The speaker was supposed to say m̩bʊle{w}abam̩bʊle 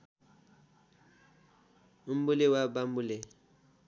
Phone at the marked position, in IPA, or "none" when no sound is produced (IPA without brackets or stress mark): w